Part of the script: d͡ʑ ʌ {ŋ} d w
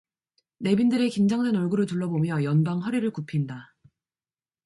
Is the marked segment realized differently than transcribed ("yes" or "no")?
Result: no